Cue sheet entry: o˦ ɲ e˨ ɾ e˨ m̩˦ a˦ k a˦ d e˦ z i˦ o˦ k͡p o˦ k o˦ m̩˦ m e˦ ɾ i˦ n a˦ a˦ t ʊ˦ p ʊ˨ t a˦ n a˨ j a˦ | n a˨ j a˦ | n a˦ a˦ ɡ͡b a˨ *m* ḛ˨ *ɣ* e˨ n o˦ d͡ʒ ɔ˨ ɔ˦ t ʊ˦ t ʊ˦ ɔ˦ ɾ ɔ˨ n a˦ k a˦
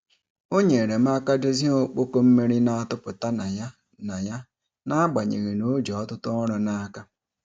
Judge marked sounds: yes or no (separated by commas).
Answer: no, yes